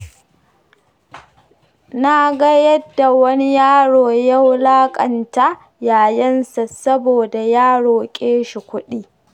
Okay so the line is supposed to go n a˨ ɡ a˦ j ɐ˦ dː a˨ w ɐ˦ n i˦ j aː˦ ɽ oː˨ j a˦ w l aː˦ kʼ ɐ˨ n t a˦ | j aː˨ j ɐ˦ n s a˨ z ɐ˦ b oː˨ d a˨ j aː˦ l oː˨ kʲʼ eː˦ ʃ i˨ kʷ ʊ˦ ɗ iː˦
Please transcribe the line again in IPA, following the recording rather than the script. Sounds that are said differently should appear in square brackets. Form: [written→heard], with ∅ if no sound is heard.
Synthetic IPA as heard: n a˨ ɡ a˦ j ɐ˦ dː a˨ w ɐ˦ n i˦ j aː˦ ɽ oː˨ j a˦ w l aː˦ kʼ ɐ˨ n t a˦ | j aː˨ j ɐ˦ n s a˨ [z→s] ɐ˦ b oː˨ d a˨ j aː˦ [l→ɽ] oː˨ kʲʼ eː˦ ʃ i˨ kʷ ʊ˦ ɗ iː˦